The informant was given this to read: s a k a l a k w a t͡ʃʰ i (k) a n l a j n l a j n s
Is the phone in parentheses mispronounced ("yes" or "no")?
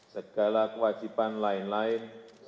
yes